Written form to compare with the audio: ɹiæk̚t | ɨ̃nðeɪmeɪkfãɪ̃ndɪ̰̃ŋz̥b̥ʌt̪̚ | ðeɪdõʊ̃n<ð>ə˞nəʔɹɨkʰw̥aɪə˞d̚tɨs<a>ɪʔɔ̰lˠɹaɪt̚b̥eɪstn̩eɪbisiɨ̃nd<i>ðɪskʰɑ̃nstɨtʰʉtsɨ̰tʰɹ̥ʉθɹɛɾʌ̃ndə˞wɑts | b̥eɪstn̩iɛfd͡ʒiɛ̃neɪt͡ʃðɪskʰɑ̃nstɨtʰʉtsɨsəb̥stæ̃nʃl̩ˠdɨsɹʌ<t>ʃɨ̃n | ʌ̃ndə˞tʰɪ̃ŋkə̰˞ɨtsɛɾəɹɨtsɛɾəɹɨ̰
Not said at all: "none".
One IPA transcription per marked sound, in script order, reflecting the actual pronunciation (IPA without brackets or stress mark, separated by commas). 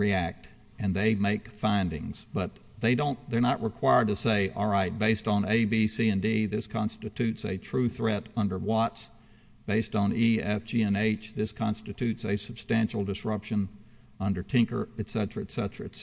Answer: ð, e, i, p